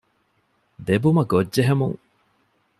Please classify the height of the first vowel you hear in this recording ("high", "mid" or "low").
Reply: mid